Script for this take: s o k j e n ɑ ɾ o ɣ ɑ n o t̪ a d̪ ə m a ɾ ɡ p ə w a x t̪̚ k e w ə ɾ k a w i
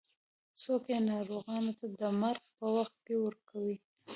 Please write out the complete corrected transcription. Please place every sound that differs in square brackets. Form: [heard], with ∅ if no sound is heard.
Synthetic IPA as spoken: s o k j e n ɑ ɾ o ɣ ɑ n o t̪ a d̪ ə m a ɾ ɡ p ə w a x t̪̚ k e w ə ɾ k a w i